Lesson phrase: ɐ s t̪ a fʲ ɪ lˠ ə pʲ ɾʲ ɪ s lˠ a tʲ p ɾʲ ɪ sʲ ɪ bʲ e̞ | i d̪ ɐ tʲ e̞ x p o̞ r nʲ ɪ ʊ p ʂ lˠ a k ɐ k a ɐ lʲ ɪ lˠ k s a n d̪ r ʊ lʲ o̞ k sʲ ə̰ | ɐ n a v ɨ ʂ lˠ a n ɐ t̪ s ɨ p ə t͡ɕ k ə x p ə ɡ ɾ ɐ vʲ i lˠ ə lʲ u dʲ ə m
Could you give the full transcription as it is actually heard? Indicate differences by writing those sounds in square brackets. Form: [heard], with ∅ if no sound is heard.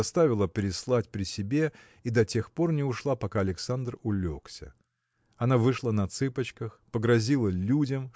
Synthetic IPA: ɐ s t̪ a [vʲ] ɪ lˠ ə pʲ ɾʲ ɪ s lˠ a tʲ p ɾʲ ɪ sʲ ɪ bʲ e̞ | i d̪ ɐ tʲ e̞ x p o̞ r nʲ ɪ ʊ [∅] ʂ lˠ a [p] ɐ k a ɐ lʲ ɪ [∅] k s a n d̪ r ʊ lʲ o̞ k sʲ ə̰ | ɐ n a v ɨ ʂ lˠ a n ɐ t̪ s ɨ p ə t͡ɕ k ə x p ə ɡ ɾ ɐ [zʲ] i lˠ ə lʲ u dʲ ə m